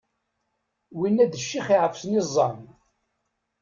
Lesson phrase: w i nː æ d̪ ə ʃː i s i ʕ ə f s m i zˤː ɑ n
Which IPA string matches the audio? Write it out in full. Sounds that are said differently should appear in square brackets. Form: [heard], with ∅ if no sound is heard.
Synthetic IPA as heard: w i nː æ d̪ ə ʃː i [χ] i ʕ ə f s [n] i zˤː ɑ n